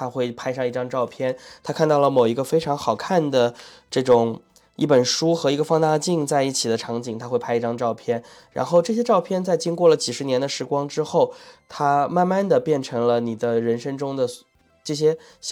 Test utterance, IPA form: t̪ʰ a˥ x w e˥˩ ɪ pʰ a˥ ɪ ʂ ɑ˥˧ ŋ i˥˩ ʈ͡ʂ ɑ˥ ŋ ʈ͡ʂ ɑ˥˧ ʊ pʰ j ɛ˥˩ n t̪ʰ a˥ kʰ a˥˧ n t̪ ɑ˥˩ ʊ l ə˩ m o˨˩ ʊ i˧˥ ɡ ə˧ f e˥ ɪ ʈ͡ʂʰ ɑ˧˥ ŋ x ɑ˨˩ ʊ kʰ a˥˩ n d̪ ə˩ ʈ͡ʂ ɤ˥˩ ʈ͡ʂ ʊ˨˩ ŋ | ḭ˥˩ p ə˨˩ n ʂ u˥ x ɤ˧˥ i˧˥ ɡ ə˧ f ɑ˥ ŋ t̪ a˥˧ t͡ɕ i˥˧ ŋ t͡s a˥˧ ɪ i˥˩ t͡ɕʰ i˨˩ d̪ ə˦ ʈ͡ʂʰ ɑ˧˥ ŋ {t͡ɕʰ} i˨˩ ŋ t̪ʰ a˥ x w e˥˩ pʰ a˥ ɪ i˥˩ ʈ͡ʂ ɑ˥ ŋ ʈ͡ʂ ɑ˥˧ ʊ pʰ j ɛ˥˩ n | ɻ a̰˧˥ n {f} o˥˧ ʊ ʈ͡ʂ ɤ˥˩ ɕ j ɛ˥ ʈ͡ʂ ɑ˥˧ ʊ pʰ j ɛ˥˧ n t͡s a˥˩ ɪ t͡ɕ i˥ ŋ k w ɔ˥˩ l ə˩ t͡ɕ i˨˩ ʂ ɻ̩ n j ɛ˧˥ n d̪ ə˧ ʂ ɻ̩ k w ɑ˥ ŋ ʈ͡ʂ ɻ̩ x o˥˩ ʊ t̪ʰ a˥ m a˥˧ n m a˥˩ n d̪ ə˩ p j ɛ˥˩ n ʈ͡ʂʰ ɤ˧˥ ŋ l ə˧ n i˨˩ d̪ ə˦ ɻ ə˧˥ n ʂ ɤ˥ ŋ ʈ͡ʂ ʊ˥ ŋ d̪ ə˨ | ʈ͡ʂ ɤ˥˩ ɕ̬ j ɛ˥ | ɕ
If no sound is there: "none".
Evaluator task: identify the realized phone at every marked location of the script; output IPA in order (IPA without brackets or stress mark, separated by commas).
t͡ɕ, x